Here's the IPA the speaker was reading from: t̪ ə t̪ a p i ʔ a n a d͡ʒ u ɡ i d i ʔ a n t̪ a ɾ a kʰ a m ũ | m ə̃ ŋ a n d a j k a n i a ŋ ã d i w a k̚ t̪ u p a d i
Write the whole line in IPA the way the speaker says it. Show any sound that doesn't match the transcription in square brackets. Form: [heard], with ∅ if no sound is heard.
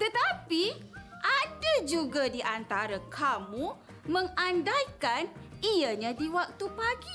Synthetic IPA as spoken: t̪ ə t̪ a p i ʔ a [d] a d͡ʒ u ɡ [a] d i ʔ a n t̪ a ɾ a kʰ a m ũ | m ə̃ ŋ a n d a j k a n i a [ɲ] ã d i w a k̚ t̪ u p a [ɡ] i

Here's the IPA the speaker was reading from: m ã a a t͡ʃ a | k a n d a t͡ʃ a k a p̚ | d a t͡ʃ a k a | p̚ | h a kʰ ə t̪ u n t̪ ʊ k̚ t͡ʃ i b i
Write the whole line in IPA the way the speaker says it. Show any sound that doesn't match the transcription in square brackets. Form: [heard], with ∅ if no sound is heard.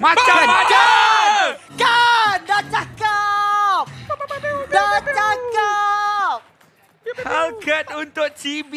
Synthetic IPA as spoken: m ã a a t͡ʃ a | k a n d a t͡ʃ a k a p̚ | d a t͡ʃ a k a | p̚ | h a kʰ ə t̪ u n t̪ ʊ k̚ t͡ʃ i b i

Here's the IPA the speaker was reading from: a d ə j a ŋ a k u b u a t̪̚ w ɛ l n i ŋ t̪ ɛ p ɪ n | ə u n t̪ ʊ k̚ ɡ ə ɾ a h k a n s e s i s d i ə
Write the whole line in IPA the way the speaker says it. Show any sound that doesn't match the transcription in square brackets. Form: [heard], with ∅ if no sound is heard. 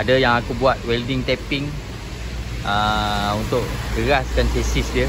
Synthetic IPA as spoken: a d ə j a ŋ a k u b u a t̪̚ w ɛ l [d] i ŋ t̪ ɛ p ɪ [ŋ] | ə u n t̪ ʊ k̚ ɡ ə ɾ a [s] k a n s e s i s d i ə

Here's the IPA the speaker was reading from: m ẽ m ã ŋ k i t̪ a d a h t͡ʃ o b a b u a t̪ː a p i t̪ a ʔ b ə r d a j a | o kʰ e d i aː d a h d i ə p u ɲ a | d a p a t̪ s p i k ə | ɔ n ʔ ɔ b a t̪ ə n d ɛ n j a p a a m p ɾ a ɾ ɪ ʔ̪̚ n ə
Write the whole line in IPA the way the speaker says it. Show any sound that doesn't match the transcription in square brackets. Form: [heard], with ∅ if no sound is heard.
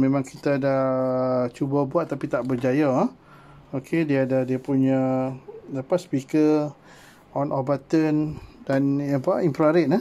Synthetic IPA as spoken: m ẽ m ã ŋ k i t̪ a d a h t͡ʃ [u] b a b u a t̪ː a p i t̪ a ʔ b ə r [d͡ʒ] a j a | o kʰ e d i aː d a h d i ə p u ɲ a | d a p a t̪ s p i k ə | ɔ n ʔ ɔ b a t̪ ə n d [a] n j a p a [i] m p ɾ a ɾ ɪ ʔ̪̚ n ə

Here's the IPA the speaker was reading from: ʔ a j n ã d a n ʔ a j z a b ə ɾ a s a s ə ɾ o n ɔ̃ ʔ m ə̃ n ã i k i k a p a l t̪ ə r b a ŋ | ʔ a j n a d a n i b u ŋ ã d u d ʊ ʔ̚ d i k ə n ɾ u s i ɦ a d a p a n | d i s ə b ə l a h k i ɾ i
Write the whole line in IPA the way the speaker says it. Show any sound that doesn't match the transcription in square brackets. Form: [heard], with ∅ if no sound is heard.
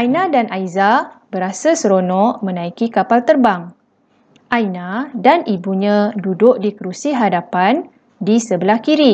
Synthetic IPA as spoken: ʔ a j n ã d a n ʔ a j z a b ə ɾ a s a s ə ɾ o n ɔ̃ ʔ m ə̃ n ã i k i k a p a l t̪ ə r b a ŋ | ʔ a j n a d a n i b u [ɲ] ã d u d ʊ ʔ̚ d i k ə [∅] ɾ u s i ɦ a d a p a n | d i s ə b ə l a h k i ɾ i

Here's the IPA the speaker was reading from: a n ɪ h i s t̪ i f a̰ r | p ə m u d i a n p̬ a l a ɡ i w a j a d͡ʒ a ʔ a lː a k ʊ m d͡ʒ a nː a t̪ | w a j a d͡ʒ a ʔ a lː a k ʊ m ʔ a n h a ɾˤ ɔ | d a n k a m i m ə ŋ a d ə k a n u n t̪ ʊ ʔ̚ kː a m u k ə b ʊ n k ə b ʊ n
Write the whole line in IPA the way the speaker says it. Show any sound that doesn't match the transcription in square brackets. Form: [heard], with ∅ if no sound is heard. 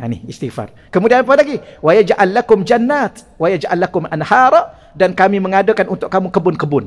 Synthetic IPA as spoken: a n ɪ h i s t̪ i f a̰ r | [k] ə m u d i a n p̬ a l a ɡ i w a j a d͡ʒ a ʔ a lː a k ʊ m d͡ʒ a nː a t̪ | w a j a d͡ʒ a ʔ a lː a k ʊ m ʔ a n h a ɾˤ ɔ | d a n k a m i m ə ŋ a d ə k a n u n t̪ ʊ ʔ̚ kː a m u k ə b ʊ n k ə b ʊ n

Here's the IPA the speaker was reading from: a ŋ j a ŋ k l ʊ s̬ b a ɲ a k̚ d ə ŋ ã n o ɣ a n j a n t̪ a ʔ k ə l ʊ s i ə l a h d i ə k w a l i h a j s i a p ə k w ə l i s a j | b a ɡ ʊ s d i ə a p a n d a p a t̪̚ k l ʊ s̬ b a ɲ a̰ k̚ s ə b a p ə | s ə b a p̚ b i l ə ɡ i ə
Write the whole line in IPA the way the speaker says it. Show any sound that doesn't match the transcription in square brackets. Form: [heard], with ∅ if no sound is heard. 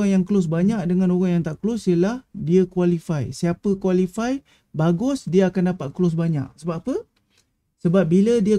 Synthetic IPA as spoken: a ŋ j a ŋ k l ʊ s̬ b a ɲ a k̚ d ə ŋ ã n o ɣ a [ŋ] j a [ŋ] t̪ a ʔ k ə l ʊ s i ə l a h d i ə k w a l i [f] a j s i a p ə k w [a] l i [f] a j | b a ɡ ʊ s d i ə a [k] a n d a p a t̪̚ k l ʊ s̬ b a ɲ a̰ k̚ s ə b a p ə | s ə b a p̚ b i l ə [d] i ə

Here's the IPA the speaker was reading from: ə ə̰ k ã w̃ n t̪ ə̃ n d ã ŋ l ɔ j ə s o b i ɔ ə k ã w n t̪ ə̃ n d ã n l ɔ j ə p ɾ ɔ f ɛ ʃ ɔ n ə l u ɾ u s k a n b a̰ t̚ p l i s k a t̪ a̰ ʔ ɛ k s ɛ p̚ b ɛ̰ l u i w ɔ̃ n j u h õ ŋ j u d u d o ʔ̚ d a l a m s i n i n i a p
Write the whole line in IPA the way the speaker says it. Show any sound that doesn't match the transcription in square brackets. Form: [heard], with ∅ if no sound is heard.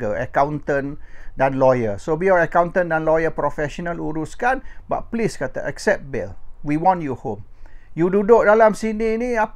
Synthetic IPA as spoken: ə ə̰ k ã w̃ n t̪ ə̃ n d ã [n] l ɔ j ə s o b i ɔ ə k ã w n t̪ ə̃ n d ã n l ɔ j ə p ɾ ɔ f ɛ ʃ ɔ n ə l u ɾ u s k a n b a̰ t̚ p l i s k a t̪ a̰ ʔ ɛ k s ɛ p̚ b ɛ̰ l [w] i w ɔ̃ n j u h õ [m] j u d u d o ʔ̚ d a l a m s i n i n i a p

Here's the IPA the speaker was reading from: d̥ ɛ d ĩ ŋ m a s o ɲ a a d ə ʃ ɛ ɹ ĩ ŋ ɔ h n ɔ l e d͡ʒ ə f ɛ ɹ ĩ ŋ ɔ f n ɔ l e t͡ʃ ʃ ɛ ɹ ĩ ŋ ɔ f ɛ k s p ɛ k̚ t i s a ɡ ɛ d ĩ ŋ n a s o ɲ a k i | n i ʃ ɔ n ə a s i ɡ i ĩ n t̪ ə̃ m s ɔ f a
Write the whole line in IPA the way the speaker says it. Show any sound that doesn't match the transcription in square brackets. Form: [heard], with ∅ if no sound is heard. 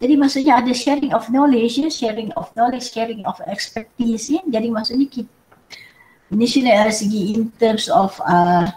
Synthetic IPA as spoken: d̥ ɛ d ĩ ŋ m a s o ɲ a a d ə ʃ ɛ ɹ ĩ ŋ ɔ [f] n ɔ l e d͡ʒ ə [ʃ] ɛ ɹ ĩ ŋ ɔ f n ɔ l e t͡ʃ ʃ ɛ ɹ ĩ ŋ ɔ f ɛ k s p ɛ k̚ t i s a ɡ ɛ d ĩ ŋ [m] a s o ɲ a k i | n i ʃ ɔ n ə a s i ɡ i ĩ n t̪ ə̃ m s ɔ f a

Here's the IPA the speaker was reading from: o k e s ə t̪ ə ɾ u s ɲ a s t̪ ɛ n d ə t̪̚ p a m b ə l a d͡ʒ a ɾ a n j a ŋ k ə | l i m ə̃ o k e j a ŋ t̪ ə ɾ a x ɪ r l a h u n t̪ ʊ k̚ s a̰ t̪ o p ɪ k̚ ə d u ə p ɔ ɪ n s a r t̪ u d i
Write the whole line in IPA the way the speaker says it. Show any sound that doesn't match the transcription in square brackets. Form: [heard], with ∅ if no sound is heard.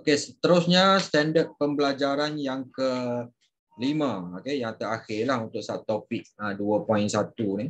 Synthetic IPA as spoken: o k e s ə t̪ ə ɾ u s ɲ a s t̪ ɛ n d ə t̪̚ p [ə] m b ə l a d͡ʒ a ɾ a n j a ŋ k ə | l i m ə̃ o k e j a ŋ t̪ ə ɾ a x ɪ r l a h u n t̪ ʊ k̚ s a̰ t̪ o p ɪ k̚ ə d u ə p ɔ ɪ n s a [∅] t̪ u [n] i

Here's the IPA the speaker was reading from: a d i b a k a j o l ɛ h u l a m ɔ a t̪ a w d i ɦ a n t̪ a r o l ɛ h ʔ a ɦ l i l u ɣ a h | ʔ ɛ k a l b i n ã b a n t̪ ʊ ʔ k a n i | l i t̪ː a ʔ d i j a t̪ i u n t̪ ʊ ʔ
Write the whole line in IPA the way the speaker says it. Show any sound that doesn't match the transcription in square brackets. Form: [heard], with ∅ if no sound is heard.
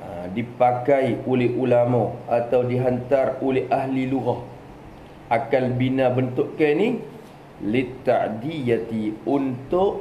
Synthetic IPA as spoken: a d i [p] a k a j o l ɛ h u l a m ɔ a t̪ a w d i ɦ a n t̪ a r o l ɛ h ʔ a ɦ l i l u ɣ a h | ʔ [a] k a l b i n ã b [ə] n t̪ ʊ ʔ k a n i | l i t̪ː a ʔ d i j a t̪ i u n t̪ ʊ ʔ

